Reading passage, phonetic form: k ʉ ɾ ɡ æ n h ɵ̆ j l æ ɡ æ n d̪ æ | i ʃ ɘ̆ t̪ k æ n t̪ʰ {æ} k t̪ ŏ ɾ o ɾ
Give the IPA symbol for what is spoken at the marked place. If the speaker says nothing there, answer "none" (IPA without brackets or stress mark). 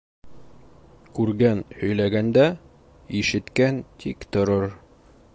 i